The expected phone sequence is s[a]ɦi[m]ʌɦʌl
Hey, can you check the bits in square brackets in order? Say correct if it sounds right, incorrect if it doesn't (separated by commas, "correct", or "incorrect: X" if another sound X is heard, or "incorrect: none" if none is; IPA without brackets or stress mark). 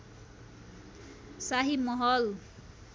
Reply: correct, correct